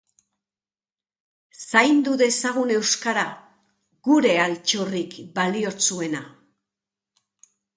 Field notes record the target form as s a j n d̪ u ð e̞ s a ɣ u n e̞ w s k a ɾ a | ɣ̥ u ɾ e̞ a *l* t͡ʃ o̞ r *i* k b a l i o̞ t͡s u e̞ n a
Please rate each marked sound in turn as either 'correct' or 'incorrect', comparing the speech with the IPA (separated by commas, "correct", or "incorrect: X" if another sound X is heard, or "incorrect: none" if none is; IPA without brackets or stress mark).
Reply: correct, correct